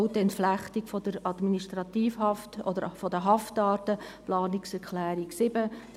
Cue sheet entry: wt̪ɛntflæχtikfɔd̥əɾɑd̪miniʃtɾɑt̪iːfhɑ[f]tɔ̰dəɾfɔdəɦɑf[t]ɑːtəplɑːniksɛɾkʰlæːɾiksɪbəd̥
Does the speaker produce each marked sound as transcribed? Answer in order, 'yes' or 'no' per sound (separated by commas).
yes, yes